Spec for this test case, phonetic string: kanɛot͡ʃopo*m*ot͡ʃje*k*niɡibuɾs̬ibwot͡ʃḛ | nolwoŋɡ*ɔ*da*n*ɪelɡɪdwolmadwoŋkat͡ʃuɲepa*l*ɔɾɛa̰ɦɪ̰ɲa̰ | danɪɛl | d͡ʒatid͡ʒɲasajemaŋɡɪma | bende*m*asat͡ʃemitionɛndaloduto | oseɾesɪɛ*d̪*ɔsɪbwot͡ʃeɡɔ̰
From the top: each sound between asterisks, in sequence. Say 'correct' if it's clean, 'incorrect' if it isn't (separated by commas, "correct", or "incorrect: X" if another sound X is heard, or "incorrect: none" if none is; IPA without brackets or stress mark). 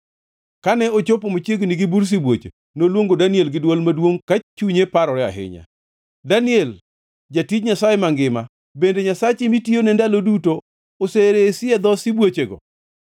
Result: correct, incorrect: ɡ, incorrect: o, correct, incorrect: ɾ, incorrect: ɲ, correct